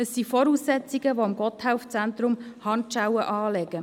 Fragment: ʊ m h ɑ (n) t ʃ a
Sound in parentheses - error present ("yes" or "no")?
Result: no